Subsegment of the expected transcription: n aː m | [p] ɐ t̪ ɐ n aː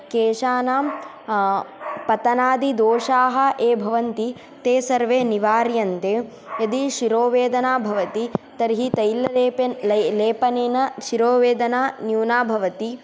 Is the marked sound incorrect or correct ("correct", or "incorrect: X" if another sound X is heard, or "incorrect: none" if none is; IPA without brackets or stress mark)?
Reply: correct